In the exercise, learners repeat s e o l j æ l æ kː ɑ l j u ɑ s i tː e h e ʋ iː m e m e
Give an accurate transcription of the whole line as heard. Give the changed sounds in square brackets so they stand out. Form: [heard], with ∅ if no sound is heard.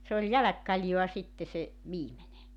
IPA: s e o l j æ l æ kː ɑ l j [o] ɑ s i tː e [s] e ʋ iː m e [n] e